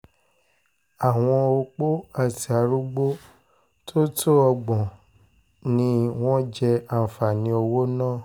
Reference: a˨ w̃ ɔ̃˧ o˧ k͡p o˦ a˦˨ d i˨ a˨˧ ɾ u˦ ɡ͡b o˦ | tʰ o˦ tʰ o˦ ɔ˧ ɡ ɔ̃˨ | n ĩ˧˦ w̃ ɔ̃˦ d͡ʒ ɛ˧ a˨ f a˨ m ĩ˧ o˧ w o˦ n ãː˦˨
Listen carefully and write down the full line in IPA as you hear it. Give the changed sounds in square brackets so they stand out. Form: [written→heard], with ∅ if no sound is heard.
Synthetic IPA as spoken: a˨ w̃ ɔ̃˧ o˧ k͡p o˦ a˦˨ [d→t] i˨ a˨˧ ɾ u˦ ɡ͡b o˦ | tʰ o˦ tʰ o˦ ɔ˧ [ɡ→ɡ͡b] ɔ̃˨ | n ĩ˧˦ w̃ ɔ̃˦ d͡ʒ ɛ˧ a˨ f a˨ [m→n] ĩ˧ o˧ w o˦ n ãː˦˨

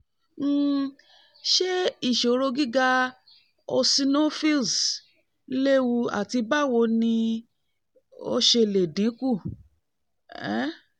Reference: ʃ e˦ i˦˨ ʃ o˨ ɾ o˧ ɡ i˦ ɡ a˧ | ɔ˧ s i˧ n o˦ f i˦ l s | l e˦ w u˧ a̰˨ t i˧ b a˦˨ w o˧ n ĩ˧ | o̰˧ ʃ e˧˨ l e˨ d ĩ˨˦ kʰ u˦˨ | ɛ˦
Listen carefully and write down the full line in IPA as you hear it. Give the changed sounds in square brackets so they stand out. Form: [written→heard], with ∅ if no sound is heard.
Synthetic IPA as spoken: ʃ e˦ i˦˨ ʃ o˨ ɾ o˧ ɡ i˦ ɡ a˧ | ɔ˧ s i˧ n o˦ f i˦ l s | l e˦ w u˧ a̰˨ t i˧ b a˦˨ w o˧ n ĩ˧ | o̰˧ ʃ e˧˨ l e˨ d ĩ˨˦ [kʰ→k] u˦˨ | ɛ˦

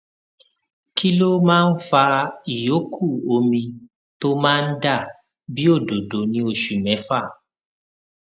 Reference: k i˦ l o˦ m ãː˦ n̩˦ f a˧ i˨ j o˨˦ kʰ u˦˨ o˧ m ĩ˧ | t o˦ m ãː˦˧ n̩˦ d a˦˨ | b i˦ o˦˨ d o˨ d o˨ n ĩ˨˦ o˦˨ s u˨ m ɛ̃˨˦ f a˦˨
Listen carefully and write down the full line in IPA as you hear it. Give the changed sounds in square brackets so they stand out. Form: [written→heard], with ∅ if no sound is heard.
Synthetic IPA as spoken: k i˦ l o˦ m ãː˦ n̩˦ f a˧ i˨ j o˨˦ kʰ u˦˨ o˧ m ĩ˧ | t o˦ m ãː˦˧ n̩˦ d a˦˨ | b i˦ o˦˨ d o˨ d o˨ n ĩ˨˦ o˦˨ [s→ʃ] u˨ m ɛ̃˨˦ f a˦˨

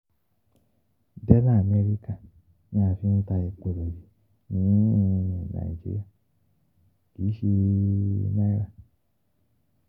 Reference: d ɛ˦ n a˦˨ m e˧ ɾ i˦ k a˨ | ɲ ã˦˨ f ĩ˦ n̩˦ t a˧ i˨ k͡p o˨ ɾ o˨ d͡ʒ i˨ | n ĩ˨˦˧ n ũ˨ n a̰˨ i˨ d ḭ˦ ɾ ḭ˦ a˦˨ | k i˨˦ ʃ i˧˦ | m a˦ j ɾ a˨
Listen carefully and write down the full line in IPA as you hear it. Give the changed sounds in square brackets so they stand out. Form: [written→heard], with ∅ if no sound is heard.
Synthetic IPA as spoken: d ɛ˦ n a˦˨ m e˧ ɾ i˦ k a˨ | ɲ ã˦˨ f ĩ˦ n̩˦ t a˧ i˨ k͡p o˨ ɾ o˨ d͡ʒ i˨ | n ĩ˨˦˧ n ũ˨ n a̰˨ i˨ [d→d͡ʒ] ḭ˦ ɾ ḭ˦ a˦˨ | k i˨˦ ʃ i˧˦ | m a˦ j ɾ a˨

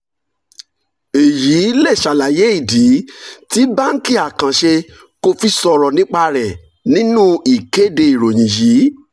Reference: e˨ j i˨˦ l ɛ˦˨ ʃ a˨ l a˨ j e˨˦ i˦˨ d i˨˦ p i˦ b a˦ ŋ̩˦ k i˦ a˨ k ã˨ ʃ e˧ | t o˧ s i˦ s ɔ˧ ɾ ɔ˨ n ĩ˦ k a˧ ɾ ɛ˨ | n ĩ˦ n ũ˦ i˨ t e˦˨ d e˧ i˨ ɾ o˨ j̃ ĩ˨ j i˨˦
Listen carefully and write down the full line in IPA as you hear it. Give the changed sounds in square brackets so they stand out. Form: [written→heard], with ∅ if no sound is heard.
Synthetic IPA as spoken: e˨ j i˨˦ l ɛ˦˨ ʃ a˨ l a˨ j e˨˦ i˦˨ d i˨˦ [p→t] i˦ b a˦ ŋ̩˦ k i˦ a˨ k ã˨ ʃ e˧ | [t→k] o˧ [s→f] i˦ s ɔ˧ ɾ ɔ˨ n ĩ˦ [k→k͡p] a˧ ɾ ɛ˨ | n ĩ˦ n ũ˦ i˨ [t→k] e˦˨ d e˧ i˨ ɾ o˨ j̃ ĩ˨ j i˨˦

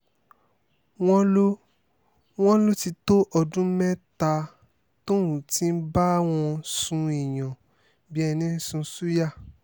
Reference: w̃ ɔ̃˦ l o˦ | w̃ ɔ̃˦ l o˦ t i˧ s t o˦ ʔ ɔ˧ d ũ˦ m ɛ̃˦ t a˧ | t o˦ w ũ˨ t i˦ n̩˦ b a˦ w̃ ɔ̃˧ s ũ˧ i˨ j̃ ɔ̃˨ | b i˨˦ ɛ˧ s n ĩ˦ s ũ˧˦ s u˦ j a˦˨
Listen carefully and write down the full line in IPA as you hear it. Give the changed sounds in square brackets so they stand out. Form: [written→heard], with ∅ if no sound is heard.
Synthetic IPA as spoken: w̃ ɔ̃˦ l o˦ | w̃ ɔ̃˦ l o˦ t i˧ [s→∅] t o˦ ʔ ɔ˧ d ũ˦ m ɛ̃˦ t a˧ | t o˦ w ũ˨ t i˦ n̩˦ b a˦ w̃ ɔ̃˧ s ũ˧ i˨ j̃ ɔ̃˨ | b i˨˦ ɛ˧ [s→∅] n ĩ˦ s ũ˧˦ s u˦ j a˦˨

